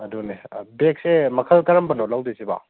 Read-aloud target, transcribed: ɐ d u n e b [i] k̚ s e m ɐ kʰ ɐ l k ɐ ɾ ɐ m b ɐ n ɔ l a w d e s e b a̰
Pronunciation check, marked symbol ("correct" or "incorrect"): incorrect